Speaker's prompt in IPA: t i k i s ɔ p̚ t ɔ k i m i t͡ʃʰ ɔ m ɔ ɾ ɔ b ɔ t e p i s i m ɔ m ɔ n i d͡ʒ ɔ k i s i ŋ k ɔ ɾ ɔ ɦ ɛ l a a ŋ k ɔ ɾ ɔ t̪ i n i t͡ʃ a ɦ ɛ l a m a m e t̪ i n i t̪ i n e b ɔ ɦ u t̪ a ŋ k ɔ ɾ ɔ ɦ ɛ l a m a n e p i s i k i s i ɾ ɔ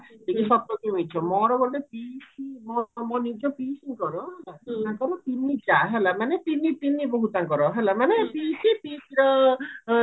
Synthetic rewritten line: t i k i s ɔ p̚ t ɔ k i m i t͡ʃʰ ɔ m ɔ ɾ ɔ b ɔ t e p i s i m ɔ m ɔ n i d͡ʒ ɔ p i s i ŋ k ɔ ɾ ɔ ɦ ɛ l a a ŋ k ɔ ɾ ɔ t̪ i n i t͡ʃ a ɦ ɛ l a m a n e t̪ i n i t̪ i n i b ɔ ɦ u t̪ a ŋ k ɔ ɾ ɔ ɦ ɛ l a m a n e p i s i p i s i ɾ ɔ

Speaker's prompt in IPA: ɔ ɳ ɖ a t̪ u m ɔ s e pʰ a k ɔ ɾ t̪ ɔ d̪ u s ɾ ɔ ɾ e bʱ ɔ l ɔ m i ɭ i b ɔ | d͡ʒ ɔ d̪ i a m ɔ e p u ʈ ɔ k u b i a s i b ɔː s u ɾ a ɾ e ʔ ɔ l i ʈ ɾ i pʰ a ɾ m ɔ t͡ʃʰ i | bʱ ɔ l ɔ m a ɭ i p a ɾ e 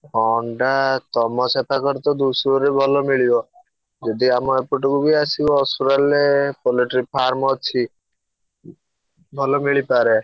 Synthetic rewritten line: ɔ ɳ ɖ a t̪ ɔ m ɔ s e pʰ a k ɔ ɾ t̪ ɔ d̪ u s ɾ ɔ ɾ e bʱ ɔ l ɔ m i ɭ i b ɔ | d͡ʒ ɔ d̪ i a m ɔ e p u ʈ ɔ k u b i a s i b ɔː s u ɾ a l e p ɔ l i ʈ ɾ i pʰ a ɾ m ɔ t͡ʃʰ i | bʱ ɔ l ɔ m i ɭ i p a ɾ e

